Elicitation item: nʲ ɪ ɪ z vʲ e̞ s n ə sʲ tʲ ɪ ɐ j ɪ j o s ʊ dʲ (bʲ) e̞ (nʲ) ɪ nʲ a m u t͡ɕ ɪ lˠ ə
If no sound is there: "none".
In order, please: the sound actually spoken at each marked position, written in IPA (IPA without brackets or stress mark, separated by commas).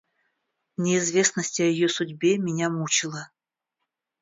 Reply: bʲ, mʲ